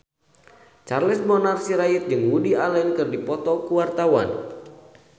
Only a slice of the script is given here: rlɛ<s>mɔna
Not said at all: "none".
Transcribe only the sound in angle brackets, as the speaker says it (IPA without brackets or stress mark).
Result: s